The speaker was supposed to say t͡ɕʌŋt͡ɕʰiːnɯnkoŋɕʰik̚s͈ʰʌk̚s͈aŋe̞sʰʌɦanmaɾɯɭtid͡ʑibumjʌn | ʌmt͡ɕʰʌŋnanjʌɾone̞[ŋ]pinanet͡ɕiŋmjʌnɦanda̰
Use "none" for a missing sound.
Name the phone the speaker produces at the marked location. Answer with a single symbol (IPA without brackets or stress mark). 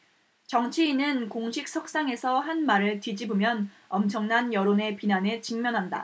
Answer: none